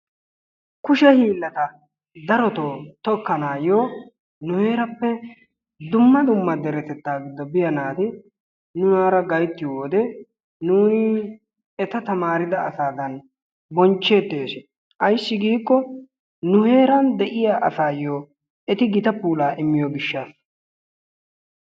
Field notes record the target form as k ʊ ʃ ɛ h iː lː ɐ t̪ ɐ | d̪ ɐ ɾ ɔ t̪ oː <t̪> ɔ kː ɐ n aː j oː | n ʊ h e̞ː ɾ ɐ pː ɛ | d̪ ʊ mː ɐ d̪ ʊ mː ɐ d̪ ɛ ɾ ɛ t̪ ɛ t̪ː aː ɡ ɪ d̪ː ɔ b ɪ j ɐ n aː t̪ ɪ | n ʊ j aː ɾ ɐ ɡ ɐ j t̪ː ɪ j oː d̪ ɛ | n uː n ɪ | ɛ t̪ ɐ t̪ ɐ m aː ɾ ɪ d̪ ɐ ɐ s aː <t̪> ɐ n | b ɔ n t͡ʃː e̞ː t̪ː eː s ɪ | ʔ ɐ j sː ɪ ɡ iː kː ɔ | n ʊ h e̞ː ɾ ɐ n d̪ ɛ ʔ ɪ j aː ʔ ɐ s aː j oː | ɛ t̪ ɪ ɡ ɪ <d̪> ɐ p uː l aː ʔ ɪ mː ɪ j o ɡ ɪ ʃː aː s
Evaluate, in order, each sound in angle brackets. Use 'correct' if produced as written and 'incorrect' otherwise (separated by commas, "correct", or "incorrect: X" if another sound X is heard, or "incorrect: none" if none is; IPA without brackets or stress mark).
correct, incorrect: d̪, incorrect: t̪